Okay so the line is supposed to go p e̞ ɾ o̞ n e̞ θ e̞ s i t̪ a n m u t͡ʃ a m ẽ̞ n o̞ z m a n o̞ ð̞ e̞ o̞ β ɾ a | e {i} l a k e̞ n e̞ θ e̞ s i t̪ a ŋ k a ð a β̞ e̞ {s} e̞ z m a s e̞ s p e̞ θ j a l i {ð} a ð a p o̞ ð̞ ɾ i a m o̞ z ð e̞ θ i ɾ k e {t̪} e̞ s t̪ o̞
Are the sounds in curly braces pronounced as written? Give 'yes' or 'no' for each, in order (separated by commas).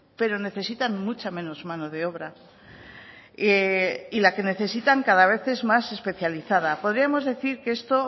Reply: yes, no, no, no